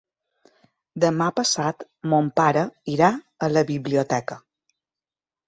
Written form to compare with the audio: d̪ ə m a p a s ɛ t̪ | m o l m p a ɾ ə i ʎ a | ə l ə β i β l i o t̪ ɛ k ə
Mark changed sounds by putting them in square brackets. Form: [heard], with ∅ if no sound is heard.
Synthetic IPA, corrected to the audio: d̪ ə m a p [ə] s [a] t̪ | m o [∅] m p a ɾ ə i [ɾ] a | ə l ə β i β l i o t̪ ɛ k ə